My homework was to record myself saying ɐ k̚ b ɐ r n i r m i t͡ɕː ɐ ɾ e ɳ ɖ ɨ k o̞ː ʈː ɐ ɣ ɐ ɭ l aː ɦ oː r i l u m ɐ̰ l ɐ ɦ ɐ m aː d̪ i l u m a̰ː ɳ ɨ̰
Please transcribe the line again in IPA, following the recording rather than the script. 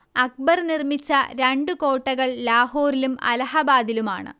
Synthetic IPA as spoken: ɐ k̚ b ɐ r n i r m i t͡ɕː ɐ ɾ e ɳ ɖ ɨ k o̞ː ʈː ɐ ɣ ɐ ɭ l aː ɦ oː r i l u m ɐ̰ l ɐ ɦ ɐ b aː d̪ i l u m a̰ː ɳ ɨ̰